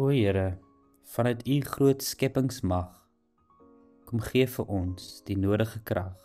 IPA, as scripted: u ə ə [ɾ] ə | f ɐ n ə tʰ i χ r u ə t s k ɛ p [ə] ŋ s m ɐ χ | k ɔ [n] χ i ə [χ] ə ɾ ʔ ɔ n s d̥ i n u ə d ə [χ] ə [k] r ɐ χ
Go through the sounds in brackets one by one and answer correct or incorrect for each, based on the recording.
correct, correct, incorrect: m, incorrect: f, correct, correct

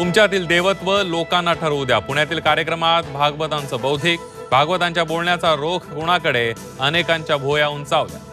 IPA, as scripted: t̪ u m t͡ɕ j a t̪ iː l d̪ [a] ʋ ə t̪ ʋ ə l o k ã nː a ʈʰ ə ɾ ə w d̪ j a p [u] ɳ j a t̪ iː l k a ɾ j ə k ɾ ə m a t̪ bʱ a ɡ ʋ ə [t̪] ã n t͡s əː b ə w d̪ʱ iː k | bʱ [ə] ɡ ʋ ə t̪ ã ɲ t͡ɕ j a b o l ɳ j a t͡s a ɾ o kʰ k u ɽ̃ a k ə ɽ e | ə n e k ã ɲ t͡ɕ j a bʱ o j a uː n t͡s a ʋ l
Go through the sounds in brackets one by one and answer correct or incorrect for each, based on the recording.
incorrect: e, correct, correct, incorrect: a

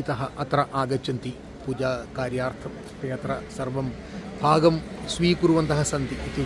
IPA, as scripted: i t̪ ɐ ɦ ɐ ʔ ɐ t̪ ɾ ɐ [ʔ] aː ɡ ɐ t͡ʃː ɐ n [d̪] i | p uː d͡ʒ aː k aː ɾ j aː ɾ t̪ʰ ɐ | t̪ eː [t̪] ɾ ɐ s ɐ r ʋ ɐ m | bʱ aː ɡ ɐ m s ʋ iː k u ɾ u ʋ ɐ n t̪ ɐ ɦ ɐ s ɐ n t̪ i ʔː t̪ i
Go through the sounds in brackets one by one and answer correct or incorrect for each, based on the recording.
correct, incorrect: t̪, correct

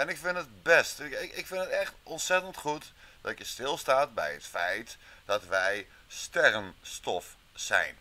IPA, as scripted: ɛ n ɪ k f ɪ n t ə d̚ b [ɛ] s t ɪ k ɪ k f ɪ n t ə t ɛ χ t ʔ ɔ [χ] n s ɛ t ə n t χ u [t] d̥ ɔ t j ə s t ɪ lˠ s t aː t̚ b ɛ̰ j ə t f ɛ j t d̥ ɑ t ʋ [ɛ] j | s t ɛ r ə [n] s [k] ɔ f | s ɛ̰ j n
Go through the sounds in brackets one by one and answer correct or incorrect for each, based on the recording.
correct, incorrect: none, correct, correct, correct, incorrect: t

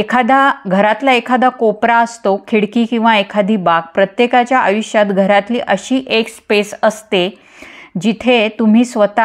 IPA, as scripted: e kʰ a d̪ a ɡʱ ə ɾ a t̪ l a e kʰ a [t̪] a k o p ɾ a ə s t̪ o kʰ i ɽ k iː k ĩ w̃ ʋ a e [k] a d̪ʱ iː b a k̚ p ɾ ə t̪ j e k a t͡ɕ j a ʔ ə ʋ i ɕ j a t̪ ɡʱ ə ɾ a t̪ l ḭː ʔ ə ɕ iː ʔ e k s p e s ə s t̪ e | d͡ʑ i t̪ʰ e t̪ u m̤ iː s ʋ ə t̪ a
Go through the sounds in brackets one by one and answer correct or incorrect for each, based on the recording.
incorrect: d̪, incorrect: kʰ

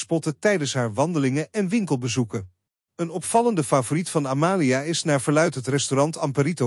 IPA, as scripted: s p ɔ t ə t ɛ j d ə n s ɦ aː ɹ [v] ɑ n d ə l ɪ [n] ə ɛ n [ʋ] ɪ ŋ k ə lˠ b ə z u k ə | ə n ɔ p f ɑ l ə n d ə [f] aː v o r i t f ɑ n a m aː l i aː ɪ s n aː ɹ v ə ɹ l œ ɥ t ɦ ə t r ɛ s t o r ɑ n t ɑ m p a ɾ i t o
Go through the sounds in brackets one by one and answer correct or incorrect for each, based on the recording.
incorrect: ʋ, incorrect: ŋ, correct, correct

